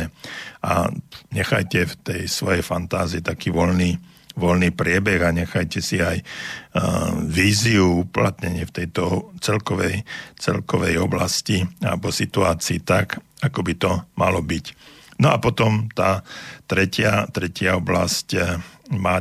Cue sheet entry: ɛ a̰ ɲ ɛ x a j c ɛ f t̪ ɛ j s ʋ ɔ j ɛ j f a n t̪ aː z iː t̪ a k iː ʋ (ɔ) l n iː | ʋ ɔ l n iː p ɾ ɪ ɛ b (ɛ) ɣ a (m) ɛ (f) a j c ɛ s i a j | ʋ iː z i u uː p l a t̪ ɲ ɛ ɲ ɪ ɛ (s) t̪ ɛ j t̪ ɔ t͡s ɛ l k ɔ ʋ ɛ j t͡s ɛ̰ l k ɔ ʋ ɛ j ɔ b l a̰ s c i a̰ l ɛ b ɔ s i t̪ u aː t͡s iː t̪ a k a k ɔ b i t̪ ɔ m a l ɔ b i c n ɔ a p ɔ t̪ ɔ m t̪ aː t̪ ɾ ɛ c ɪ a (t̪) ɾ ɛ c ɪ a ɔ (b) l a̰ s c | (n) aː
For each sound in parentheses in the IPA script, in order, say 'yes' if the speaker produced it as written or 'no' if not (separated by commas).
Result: yes, yes, no, no, no, yes, yes, no